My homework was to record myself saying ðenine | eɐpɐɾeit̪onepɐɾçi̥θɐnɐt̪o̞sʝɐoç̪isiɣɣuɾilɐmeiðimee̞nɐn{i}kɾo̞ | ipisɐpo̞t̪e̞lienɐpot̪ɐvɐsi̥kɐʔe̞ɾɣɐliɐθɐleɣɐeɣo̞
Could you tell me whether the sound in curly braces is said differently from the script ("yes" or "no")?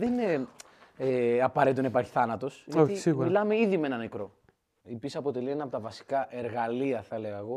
yes